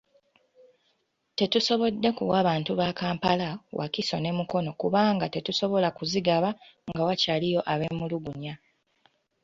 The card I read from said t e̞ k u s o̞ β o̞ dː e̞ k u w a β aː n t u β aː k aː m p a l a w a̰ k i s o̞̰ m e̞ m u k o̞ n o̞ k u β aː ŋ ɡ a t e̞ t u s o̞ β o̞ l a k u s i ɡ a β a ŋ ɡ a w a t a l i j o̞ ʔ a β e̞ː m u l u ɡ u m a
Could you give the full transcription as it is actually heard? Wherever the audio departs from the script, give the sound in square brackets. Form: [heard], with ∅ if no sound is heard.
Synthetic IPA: t e̞ [t] u s o̞ β o̞ dː e̞ k u w a β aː n t u β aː k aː m p a l a w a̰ k i s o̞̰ [n] e̞ m u k o̞ n o̞ k u β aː ŋ ɡ a t e̞ t u s o̞ β o̞ l a k u [z] i ɡ a β a ŋ ɡ a w a [c] a l i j o̞ ʔ a β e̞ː m u l u ɡ u [ɲ] a